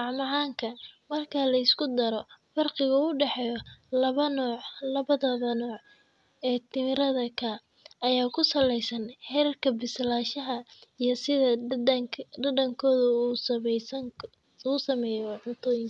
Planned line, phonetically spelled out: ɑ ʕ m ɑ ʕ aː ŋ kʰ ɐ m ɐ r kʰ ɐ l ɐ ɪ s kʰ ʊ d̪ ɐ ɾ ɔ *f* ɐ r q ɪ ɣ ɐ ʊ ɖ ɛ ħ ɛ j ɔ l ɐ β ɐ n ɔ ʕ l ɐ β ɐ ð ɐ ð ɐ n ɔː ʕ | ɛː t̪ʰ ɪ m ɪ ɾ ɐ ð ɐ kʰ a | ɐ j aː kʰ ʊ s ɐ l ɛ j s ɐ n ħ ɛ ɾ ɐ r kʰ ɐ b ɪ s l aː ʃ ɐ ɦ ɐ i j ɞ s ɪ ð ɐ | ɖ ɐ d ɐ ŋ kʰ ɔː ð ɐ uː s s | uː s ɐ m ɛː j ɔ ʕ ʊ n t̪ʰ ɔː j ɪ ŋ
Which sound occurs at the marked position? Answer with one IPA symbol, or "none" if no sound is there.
f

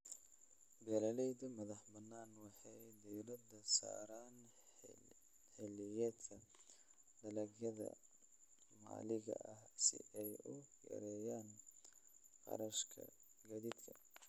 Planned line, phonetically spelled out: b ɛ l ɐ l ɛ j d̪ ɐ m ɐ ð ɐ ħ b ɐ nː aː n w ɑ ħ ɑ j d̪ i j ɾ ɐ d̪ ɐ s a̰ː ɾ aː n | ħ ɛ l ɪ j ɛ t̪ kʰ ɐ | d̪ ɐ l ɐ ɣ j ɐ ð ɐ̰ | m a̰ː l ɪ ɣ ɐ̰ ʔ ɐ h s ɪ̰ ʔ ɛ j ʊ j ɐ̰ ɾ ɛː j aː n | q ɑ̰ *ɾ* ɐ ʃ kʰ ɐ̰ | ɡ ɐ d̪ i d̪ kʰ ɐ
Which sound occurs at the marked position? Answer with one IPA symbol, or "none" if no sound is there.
ɾ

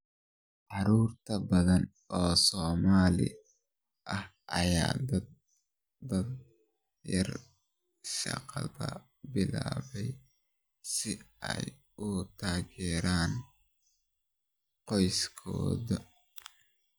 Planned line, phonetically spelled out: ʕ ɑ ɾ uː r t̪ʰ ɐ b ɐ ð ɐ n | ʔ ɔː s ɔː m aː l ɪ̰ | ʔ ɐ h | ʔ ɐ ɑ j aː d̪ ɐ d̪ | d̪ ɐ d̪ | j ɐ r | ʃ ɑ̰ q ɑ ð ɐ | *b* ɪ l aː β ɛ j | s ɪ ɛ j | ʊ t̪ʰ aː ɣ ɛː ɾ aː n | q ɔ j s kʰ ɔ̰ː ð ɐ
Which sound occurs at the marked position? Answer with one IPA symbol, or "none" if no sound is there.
b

